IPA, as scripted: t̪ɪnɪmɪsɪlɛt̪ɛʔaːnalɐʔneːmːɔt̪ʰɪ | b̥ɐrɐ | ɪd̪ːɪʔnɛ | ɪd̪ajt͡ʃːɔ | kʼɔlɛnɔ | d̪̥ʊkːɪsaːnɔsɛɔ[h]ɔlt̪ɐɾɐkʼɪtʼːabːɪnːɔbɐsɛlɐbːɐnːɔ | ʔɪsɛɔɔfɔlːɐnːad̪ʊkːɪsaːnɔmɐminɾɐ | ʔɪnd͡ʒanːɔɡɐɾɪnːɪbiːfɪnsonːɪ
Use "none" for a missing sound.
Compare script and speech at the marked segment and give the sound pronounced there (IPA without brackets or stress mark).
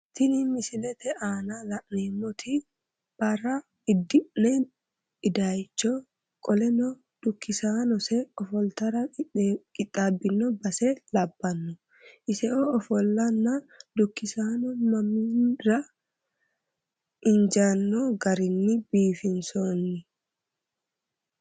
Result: f